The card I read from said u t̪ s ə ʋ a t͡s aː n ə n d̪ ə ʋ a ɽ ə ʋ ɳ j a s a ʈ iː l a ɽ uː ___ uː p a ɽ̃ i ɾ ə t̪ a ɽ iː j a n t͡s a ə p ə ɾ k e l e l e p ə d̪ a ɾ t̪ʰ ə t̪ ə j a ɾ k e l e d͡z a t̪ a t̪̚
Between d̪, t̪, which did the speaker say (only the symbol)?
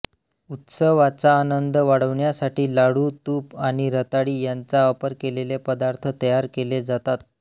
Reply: t̪